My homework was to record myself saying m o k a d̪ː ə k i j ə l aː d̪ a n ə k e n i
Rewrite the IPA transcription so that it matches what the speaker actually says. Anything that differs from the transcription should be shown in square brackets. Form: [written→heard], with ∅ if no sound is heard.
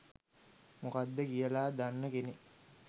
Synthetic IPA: m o k a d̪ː ə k i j ə l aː d̪ a [n→nː] ə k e n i